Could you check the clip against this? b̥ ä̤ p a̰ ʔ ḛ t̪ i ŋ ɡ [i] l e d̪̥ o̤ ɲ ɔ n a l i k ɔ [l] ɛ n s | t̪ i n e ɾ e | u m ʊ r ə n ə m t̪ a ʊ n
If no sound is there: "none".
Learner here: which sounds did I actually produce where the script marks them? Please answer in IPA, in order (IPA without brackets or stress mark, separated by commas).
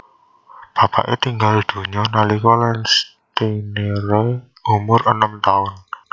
a, l